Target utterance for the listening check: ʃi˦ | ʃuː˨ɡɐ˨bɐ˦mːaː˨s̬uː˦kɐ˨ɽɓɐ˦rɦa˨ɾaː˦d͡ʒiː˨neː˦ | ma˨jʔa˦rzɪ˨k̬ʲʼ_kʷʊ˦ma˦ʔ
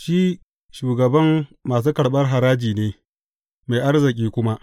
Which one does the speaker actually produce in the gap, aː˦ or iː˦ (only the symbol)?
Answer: iː˦